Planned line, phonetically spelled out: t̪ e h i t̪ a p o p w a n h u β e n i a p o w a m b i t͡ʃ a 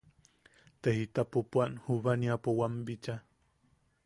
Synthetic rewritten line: t̪ e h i t̪ a p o p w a n h u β a n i a p o w a m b i t͡ʃ a